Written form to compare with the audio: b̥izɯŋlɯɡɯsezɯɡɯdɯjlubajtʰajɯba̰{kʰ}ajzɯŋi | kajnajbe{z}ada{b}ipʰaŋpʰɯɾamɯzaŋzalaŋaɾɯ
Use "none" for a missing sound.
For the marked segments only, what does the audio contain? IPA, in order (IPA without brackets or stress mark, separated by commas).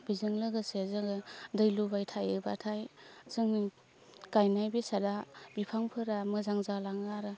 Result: tʰ, s, b